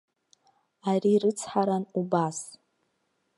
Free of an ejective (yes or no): yes